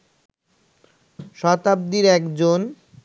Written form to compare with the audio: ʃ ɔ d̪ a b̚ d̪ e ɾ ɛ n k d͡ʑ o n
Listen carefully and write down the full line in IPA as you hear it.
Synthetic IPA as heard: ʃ ɔ t̪ a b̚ d̪ i ɾ ɛ k d͡ʑ o n